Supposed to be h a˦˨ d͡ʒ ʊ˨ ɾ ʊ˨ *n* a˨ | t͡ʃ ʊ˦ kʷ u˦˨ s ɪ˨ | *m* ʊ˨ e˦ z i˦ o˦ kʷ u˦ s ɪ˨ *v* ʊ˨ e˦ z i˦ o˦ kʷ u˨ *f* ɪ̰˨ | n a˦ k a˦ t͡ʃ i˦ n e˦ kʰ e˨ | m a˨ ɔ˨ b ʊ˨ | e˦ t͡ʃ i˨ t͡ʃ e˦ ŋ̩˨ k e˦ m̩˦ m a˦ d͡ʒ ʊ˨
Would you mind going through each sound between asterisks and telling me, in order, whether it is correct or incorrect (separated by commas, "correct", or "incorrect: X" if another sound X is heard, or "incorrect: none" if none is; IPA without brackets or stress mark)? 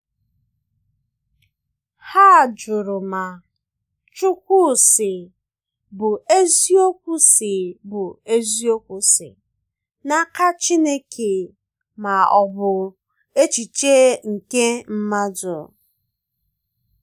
incorrect: m, incorrect: b, incorrect: b, incorrect: s